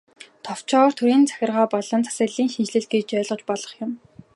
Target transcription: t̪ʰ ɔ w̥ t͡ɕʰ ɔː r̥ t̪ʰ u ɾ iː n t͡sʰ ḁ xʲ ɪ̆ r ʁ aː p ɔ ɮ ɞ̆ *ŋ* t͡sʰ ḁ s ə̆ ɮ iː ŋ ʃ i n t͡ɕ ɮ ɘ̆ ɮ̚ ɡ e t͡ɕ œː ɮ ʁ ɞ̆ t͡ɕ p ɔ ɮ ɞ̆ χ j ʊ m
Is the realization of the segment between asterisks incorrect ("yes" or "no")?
yes